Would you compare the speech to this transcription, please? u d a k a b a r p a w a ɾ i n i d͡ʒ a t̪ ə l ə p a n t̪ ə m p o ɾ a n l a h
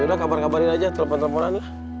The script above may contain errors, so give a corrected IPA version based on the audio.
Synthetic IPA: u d a k a b a r k a b a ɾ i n a d͡ʒ a t̪ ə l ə p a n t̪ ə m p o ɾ a n l a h